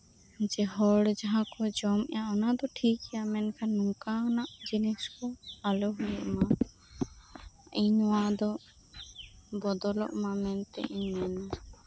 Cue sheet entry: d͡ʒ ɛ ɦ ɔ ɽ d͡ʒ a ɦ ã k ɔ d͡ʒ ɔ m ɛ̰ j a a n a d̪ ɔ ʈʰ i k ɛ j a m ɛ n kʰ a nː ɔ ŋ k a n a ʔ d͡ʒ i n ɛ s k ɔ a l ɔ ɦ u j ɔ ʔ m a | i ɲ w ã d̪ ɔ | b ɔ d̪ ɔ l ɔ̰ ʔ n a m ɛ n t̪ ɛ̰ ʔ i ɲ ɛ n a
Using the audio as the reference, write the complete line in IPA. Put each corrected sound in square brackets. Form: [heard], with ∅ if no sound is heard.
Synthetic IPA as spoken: d͡ʒ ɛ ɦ ɔ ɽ d͡ʒ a ɦ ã k ɔ d͡ʒ ɔ m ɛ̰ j a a n a d̪ ɔ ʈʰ i k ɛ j a m ɛ n kʰ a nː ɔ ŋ k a n a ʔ d͡ʒ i n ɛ s k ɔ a l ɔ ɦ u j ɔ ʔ m a | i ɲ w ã d̪ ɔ | b ɔ d̪ ɔ l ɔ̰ ʔ [m] a m ɛ n t̪ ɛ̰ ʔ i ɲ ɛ n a